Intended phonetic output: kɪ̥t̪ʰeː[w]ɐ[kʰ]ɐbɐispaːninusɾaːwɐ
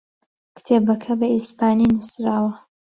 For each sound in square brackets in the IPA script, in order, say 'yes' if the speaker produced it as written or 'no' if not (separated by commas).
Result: no, yes